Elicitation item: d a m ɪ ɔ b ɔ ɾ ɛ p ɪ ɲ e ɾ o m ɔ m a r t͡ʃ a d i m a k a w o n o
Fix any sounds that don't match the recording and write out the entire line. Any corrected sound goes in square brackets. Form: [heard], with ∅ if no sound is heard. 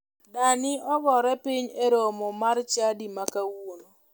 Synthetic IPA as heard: d a [n] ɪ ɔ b ɔ ɾ ɛ p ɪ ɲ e ɾ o m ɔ m a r t͡ʃ a d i m a k a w o n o